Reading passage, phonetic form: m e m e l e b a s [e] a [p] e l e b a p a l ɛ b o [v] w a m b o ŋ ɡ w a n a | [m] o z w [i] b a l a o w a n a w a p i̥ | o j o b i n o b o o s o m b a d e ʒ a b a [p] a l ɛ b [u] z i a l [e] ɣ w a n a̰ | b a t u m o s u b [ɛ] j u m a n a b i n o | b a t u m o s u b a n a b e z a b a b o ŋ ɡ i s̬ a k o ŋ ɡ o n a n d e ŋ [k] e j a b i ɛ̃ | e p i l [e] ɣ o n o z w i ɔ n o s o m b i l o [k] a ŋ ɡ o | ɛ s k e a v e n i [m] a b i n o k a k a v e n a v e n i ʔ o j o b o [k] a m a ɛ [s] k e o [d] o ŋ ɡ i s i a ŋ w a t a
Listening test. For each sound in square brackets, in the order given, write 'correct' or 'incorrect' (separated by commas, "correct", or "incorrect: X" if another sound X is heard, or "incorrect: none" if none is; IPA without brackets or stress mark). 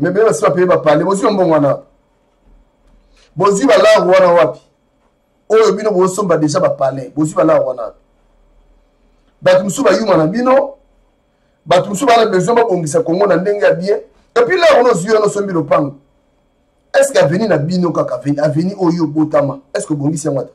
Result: incorrect: i, correct, incorrect: z, incorrect: b, correct, correct, incorrect: o, incorrect: a, incorrect: a, incorrect: ɡ, incorrect: a, incorrect: p, incorrect: n, incorrect: t, correct, incorrect: b